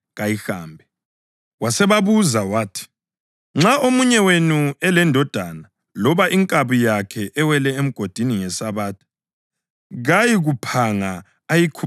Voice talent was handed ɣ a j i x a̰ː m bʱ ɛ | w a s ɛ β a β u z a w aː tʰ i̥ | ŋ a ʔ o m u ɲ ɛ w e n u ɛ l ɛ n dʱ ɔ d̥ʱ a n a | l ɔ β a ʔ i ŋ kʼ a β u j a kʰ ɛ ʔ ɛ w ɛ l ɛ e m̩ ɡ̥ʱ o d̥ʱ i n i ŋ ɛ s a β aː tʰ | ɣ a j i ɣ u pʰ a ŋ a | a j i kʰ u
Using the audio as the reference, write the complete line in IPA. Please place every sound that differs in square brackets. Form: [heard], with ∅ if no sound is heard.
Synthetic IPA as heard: ɣ a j i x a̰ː m bʱ ɛ | w a s ɛ β a β u z a w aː tʰ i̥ | [ŋ͡ǁ] a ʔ o m u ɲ ɛ w e n u ɛ l ɛ n dʱ ɔ d̥ʱ a n a | l ɔ β a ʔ i ŋ kʼ a β u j a kʰ ɛ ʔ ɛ w ɛ l ɛ e m̩ ɡ̥ʱ o d̥ʱ i n i ŋ ɛ s a β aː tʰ | ɣ a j i ɣ u pʰ a ŋ a | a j i kʰ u